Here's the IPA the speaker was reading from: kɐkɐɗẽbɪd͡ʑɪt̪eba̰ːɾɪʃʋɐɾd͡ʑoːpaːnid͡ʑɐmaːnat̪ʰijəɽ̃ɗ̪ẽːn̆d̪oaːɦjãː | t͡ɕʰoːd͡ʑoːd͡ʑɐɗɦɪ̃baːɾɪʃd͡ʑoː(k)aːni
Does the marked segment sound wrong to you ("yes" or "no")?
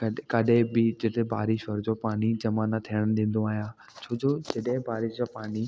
yes